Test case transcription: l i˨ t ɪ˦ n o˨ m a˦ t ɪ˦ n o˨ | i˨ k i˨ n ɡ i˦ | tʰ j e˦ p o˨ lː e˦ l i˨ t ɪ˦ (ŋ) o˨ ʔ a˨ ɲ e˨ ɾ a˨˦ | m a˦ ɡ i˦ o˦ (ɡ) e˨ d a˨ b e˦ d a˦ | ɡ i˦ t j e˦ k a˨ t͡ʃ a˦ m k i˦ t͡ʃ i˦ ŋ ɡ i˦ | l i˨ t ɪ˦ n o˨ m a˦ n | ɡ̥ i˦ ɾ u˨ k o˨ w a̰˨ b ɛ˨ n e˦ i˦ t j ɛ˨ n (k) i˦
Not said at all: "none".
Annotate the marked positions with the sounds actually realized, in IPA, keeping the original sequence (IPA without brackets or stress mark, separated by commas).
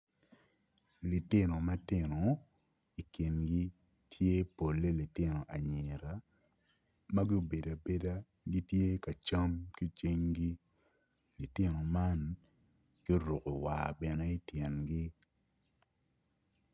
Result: n, b, ɡ